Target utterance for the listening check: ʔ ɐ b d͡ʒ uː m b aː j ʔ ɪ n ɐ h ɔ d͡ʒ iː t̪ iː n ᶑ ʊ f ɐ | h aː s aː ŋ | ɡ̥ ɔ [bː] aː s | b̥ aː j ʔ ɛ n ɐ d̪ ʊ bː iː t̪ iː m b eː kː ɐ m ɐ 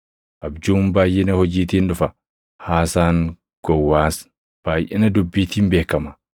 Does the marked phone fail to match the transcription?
yes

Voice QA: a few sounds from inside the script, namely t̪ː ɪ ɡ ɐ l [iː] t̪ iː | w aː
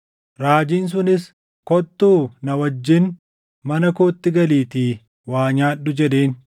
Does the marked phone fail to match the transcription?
no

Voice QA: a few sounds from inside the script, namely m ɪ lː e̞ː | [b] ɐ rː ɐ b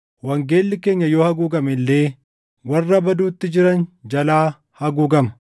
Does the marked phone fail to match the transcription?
yes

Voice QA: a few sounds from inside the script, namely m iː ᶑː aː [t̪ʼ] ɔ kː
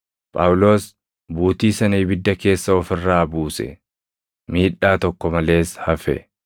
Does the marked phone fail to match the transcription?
yes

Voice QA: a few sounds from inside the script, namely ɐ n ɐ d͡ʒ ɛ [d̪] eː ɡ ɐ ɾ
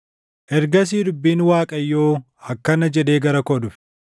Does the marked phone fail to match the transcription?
no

